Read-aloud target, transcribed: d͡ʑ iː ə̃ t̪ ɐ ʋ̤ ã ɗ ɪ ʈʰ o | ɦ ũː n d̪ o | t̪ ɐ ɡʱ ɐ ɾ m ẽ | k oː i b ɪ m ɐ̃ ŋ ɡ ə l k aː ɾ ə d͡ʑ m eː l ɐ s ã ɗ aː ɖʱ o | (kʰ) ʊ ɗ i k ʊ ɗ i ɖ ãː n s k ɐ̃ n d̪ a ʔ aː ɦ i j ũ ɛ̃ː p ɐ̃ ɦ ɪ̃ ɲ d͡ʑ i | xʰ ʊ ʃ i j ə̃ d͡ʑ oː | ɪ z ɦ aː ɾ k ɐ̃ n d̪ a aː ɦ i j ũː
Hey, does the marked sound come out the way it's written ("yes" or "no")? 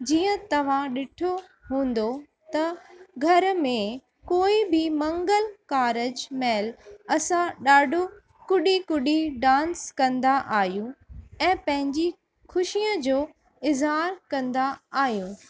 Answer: no